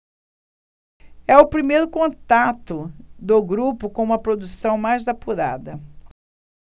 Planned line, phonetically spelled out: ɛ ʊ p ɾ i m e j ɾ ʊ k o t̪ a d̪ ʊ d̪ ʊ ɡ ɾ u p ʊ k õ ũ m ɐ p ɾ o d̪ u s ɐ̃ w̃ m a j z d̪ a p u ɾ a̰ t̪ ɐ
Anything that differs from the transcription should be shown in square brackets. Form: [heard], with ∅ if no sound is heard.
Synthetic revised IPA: ɛ ʊ p ɾ i m e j ɾ ʊ k [õ] t̪ a [t̪] ʊ d̪ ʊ ɡ ɾ u p ʊ k õ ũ m ɐ p ɾ o d̪ u s ɐ̃ w̃ m a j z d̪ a p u ɾ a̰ [d̪] ɐ